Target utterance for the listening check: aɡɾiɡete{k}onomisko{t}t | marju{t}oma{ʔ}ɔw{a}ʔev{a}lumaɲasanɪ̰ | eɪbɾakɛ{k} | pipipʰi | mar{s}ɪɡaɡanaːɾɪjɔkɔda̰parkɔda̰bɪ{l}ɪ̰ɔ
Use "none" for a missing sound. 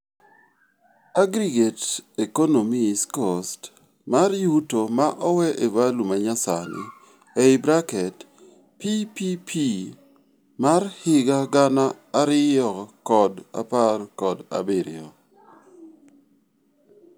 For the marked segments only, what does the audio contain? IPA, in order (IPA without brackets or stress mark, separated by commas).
k, s, t, ʔ, ɛ, a, t, h, ɾ